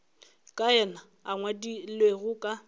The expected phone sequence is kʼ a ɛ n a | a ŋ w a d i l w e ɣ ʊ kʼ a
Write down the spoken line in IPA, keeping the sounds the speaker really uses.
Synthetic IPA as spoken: kʼ a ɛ n a | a ŋ w a d i l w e ɣ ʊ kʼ a